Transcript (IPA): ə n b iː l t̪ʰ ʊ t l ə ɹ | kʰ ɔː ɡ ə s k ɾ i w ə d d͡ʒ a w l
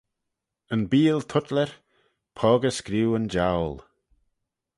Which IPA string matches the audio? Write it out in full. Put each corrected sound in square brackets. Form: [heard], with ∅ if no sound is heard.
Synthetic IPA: ə n b iː l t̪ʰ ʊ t l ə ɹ | [pʰ] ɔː ɡ ə s k ɾ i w ə [n] d͡ʒ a w l